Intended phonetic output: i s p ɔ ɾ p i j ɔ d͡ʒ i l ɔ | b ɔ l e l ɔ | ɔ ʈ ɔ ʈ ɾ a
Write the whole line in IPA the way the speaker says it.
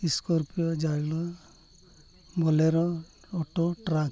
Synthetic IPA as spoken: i s k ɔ ɾ p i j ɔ d͡ʒ a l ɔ | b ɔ l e ɾ ɔ | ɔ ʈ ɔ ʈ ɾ a